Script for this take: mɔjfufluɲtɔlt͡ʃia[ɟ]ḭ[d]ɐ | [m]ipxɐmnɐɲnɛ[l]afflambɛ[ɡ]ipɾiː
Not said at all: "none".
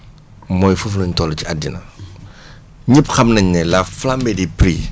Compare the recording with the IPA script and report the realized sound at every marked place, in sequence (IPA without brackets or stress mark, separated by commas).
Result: d, n, ɲ, l, d